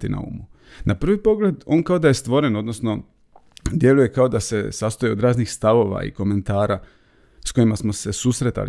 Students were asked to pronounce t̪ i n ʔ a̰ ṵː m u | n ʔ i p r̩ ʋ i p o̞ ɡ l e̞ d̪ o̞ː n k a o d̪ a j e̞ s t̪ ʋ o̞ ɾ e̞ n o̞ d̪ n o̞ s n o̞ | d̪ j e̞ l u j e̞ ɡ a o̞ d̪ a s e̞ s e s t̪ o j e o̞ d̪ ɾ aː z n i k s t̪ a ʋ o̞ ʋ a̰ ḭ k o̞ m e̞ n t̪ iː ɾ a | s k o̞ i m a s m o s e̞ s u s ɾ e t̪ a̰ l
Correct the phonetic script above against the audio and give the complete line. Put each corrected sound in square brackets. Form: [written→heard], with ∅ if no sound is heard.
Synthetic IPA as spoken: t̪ i n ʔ a̰ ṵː m u | n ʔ [i→a] p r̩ ʋ i p o̞ ɡ l e̞ d̪ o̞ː n k a o d̪ a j e̞ s t̪ ʋ o̞ ɾ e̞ n o̞ d̪ n o̞ s n o̞ | d̪ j e̞ l u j e̞ [ɡ→k] a o̞ d̪ a s e̞ s [e→a] s t̪ o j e o̞ d̪ ɾ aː z n i [k→x] s t̪ a ʋ o̞ ʋ a̰ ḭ k o̞ m e̞ n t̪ [iː→aː] ɾ a | s k o̞ i m a s m o s e̞ s u s ɾ e t̪ a̰ l